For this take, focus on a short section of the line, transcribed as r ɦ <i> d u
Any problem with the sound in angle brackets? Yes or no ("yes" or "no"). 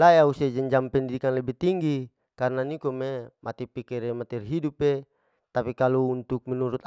no